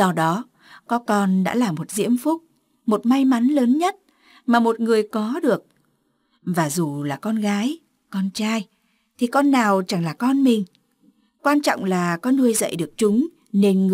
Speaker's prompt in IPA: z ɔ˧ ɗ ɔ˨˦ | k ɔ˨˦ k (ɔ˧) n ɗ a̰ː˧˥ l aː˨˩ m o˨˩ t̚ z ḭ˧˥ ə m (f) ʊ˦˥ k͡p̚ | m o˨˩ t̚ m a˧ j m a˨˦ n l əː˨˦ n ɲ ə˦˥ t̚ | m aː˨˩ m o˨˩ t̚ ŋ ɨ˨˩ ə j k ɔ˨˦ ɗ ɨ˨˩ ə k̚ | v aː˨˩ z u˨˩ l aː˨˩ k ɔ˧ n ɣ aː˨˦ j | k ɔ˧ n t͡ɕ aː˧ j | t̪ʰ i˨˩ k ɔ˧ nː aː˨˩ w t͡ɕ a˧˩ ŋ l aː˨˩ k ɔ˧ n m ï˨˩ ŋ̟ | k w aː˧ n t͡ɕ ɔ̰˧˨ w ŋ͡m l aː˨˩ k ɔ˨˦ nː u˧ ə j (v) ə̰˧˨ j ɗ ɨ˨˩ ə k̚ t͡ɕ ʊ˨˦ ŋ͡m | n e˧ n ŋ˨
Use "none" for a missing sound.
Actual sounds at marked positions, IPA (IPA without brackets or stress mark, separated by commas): ɔ˧, f, z